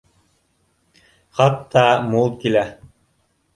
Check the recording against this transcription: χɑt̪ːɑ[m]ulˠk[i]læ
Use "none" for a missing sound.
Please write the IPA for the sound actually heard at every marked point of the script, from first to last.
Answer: m, i

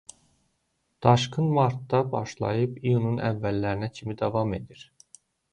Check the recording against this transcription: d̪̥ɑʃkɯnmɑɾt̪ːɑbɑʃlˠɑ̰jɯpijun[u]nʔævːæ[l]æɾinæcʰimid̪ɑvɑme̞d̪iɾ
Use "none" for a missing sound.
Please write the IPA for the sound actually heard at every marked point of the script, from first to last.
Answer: u, lː

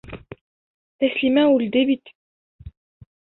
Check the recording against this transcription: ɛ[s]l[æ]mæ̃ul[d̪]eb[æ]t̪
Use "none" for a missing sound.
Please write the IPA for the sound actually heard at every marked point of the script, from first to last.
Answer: s, i, d̪, i

